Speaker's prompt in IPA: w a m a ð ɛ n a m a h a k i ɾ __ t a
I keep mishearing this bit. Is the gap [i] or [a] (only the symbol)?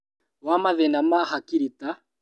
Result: i